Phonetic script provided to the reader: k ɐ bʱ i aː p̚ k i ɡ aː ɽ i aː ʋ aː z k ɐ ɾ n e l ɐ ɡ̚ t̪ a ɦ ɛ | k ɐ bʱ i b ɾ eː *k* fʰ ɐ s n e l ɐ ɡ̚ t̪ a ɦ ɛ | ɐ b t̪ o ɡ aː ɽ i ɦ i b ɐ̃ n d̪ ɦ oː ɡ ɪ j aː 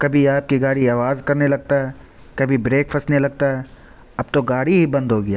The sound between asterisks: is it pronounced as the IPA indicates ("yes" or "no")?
yes